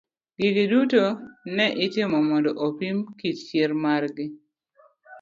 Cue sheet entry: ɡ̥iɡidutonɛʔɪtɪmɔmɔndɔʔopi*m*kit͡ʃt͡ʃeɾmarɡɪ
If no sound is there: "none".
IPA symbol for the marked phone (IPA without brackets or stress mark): m